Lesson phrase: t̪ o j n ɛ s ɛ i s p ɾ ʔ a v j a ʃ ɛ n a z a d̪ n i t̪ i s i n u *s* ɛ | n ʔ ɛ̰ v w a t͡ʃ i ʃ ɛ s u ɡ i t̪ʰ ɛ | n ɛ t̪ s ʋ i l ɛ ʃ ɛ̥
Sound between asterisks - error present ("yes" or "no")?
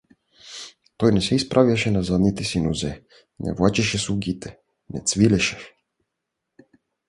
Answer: yes